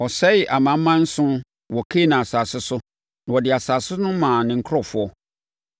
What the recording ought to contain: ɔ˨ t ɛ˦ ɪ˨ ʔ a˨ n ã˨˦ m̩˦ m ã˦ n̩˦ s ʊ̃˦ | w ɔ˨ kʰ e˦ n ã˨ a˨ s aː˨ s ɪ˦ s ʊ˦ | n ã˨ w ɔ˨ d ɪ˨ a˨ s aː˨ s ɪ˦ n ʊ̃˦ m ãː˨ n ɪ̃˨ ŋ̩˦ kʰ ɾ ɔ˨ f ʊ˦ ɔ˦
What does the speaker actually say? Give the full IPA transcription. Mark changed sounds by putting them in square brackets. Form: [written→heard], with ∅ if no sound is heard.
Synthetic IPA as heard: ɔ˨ [t→s] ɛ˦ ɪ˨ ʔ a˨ [n→m] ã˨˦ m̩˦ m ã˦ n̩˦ s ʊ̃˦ | w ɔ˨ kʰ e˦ n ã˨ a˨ s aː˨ s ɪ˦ s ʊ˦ | n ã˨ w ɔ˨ d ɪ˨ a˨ s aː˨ s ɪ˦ n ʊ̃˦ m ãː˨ n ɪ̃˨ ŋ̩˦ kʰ ɾ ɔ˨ f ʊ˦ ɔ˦